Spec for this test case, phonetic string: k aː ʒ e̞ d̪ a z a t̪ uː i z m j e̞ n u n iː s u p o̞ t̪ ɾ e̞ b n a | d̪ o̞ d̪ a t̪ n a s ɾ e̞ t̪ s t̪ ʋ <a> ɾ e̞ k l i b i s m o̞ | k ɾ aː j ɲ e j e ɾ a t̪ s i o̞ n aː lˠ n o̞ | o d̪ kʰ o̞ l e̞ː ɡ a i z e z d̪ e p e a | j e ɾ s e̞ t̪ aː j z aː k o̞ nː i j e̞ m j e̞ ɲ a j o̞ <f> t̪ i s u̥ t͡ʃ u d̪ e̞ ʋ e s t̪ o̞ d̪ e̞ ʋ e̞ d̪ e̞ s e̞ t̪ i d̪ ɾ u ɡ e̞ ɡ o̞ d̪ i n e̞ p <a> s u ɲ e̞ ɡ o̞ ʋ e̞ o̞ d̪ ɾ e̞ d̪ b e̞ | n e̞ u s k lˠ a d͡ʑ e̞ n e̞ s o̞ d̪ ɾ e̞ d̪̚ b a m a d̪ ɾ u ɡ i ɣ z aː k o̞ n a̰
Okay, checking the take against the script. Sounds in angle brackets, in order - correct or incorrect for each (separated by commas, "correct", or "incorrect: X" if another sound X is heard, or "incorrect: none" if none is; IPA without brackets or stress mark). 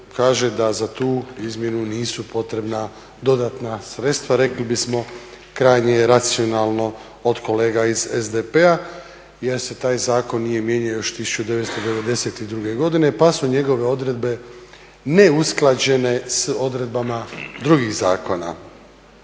correct, incorrect: ʃ, correct